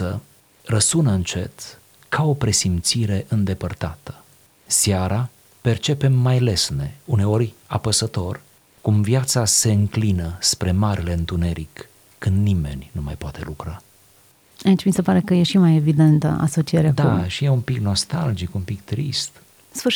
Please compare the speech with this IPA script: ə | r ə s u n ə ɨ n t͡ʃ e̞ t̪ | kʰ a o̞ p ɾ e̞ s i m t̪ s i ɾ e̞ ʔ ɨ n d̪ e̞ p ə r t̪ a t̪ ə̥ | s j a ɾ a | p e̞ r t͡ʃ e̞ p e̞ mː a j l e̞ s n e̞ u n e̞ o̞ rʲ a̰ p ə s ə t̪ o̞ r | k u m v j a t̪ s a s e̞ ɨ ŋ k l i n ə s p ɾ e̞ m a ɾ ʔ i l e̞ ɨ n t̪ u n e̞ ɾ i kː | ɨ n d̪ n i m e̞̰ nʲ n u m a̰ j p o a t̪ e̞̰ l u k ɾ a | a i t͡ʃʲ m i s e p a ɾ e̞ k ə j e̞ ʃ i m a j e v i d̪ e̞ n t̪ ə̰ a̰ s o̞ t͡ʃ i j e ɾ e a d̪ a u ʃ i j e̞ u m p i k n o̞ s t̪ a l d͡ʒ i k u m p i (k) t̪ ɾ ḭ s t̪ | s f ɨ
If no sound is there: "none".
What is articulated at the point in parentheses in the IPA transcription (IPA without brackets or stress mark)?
k